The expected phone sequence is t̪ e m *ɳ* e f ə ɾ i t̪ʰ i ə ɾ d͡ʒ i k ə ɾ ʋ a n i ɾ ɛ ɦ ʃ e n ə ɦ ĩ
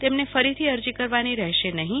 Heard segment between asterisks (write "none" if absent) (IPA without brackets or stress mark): n